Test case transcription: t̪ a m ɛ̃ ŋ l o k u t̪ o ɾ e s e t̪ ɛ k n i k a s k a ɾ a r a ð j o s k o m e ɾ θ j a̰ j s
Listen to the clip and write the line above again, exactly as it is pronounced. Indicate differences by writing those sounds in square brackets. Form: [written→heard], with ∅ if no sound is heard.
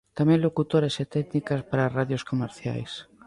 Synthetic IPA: t̪ a m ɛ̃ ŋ l o k u t̪ o ɾ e s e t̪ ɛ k n i k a s [k→p] a ɾ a r a ð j o s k o m e ɾ θ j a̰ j s